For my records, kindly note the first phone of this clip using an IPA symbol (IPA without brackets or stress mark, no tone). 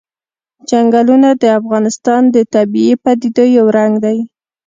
d͡ʒ